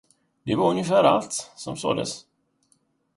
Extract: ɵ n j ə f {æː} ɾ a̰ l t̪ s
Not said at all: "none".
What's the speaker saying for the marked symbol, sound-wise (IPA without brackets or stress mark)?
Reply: æː